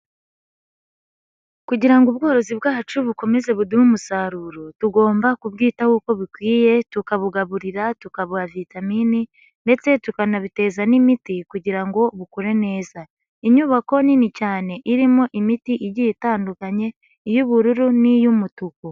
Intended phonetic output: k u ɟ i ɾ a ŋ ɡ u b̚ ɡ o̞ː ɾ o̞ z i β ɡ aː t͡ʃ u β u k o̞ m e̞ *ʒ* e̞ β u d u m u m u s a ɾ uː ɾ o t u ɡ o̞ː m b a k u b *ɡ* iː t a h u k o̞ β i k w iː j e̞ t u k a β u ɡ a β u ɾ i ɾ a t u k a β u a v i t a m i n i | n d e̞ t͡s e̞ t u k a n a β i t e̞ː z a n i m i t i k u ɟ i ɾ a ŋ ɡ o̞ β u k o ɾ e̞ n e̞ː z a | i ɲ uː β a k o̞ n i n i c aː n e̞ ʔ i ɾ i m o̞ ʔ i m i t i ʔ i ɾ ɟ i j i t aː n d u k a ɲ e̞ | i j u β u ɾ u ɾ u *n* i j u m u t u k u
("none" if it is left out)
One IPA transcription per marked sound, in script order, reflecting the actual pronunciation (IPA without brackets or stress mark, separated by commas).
z, ɡ, n